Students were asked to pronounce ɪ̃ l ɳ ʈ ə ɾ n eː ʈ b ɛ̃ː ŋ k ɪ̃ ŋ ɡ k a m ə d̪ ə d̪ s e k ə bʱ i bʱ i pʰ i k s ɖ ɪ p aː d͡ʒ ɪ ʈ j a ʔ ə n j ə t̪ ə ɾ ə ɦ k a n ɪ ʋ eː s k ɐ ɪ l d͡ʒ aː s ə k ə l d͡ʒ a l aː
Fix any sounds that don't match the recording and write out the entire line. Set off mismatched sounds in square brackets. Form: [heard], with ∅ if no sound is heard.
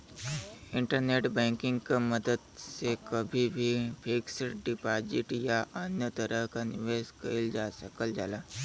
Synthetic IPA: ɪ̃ [∅] ɳ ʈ ə ɾ n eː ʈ b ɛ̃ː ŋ k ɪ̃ ŋ ɡ k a m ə d̪ ə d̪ s e k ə bʱ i bʱ i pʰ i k s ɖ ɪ p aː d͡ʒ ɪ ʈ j a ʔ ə n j ə t̪ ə ɾ ə ɦ k a n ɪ ʋ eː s k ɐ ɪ l d͡ʒ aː s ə k ə l d͡ʒ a l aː